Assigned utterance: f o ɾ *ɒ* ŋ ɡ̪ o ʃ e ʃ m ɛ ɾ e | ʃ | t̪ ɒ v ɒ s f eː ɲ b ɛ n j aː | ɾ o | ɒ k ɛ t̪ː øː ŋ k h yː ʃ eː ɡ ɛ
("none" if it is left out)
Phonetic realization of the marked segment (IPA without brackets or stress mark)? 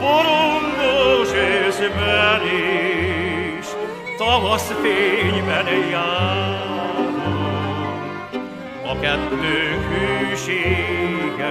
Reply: o